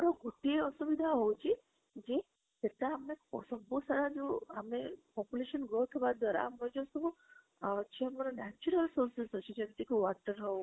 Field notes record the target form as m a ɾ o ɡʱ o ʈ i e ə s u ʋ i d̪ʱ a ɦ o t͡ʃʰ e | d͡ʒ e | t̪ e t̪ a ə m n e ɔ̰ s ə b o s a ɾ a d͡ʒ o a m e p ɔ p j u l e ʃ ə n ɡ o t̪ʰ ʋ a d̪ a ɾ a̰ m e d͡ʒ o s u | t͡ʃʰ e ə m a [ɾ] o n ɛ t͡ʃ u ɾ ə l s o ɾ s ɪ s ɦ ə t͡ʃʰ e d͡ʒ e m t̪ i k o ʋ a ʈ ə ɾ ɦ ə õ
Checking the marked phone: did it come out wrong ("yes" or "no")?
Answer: no